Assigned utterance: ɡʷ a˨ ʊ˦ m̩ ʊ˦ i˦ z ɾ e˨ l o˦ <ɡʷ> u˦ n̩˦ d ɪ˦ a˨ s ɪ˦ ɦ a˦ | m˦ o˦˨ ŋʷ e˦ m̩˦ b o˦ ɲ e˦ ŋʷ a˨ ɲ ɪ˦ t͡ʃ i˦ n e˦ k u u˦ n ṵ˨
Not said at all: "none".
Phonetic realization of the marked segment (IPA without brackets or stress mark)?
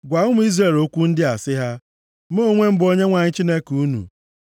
kʷ